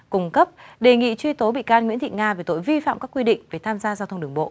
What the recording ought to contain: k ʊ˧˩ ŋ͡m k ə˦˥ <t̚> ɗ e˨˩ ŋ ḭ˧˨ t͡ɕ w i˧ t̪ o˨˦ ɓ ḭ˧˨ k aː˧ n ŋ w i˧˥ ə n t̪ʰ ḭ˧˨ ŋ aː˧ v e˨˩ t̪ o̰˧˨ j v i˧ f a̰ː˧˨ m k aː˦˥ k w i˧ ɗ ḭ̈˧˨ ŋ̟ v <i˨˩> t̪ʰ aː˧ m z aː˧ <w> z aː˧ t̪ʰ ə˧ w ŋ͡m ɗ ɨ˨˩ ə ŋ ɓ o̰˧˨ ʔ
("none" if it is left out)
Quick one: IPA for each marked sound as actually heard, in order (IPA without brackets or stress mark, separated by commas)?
p̚, e˨˩, none